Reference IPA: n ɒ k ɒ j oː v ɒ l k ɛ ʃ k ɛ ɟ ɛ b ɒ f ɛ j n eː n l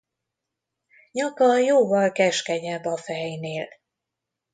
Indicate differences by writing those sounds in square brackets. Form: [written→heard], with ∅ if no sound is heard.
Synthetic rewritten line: [n→ɲ] ɒ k ɒ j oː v ɒ l k ɛ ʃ k ɛ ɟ ɛ b ɒ f ɛ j n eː [n→∅] l